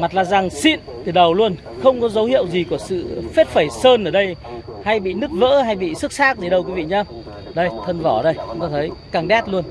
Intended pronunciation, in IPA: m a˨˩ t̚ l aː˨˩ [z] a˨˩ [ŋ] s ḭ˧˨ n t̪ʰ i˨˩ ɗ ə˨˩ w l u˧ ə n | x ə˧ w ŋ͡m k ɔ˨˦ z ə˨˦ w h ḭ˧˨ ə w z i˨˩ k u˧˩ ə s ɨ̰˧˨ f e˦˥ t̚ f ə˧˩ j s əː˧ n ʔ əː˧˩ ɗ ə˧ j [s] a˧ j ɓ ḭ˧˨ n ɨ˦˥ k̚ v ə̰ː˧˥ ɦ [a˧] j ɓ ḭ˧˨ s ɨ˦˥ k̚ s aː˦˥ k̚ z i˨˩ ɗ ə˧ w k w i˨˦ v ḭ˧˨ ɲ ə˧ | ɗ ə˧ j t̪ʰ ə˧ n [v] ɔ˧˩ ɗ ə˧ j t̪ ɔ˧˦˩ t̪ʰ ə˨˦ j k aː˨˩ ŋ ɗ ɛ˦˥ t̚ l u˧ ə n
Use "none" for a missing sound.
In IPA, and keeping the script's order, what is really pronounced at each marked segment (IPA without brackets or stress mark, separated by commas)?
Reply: z, ŋ, h, a˧, v